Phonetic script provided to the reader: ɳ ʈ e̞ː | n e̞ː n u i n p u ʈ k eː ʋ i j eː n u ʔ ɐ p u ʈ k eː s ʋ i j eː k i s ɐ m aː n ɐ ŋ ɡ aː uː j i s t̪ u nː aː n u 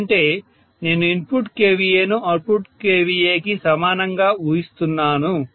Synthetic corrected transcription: ɳ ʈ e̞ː | n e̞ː n u i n p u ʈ k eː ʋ i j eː n u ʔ ɐ p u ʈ k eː ʋ i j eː k i s ɐ m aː n ɐ ŋ ɡ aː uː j i s t̪ u nː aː n u